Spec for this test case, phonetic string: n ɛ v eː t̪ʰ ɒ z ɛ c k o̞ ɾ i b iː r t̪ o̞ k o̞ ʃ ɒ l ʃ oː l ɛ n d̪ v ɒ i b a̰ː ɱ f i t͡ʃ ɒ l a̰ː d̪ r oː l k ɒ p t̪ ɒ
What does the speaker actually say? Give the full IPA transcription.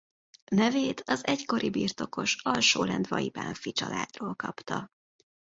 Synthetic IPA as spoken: n ɛ v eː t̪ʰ ɒ z ɛ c k o̞ ɾ i b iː r t̪ o̞ k o̞ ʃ ɒ l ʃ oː l ɛ n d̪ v ɒ i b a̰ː ɱ f i t͡ʃ ɒ l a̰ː d̪ r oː l k ɒ p t̪ ɒ